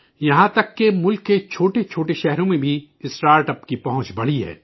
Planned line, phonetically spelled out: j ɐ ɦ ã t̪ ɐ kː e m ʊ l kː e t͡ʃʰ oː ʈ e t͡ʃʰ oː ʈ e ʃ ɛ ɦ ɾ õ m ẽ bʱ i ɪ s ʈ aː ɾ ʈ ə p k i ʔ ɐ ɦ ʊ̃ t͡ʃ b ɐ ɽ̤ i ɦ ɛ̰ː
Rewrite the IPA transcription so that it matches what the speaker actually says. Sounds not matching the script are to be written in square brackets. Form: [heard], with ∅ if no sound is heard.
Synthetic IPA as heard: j ɐ ɦ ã t̪ ɐ kː e m ʊ l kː e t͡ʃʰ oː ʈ e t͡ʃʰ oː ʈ e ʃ ɛ ɦ ɾ õ m ẽ bʱ i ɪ s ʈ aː ɾ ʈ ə p k i [p] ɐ ɦ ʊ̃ t͡ʃ b ɐ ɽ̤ i ɦ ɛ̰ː